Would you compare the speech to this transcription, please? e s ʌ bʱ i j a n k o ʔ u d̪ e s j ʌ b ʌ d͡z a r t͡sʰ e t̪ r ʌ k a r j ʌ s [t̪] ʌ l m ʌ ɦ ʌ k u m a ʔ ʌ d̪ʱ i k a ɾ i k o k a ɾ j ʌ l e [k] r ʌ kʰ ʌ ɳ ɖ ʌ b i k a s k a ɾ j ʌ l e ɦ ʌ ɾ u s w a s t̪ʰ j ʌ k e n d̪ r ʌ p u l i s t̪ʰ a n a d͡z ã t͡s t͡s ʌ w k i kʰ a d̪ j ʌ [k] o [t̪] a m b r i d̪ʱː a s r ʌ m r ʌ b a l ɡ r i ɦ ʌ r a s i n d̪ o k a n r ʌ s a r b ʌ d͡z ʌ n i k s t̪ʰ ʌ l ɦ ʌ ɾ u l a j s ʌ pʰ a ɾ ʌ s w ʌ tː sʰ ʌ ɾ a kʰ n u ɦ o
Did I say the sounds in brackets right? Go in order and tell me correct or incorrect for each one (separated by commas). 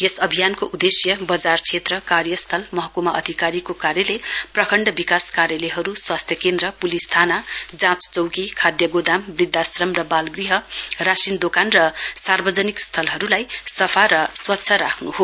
incorrect, incorrect, incorrect, incorrect